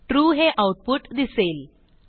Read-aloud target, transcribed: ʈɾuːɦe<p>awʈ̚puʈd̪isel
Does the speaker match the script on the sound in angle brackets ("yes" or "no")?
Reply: no